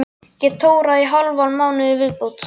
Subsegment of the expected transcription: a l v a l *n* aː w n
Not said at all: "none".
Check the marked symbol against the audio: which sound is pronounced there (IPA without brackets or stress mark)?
m